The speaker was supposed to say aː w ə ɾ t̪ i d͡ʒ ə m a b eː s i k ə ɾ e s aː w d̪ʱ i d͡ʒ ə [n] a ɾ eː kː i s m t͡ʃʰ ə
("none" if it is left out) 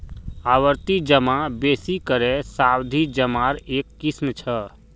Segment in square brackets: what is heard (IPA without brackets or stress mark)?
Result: m